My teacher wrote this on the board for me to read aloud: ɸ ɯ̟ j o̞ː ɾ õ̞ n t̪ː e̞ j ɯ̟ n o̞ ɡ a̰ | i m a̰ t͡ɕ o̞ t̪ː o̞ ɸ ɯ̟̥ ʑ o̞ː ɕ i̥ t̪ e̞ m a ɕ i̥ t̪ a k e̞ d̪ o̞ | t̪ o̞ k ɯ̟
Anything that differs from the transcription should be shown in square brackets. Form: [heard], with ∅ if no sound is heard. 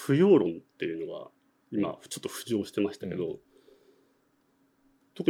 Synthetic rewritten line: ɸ ɯ̟ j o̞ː ɾ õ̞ n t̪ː e̞ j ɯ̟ n o̞ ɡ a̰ | i m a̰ t͡ɕ o̞ t̪ː o̞ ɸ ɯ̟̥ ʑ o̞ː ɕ i̥ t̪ e̞ m a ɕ i̥ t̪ a k e̞ d̪ o̞ | t̪ o̞ k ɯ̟